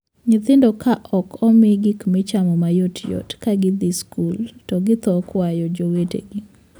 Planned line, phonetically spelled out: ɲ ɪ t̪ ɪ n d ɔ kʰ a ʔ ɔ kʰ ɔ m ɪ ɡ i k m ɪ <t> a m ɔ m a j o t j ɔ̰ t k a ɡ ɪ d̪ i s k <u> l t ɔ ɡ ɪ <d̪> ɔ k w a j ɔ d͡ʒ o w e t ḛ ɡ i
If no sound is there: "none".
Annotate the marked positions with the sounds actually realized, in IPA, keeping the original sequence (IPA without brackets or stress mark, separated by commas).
t͡ʃ, u, t̪